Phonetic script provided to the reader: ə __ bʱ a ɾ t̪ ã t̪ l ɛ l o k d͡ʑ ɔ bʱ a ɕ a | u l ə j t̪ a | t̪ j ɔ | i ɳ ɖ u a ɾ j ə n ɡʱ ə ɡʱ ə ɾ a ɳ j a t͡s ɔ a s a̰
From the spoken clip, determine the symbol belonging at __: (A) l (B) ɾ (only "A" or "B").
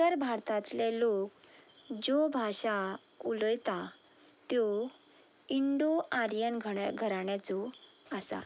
B